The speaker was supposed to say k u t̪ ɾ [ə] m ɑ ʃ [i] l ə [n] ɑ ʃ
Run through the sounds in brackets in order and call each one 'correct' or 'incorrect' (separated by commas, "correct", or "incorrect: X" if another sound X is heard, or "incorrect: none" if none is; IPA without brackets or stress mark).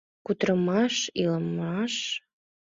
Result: correct, correct, incorrect: m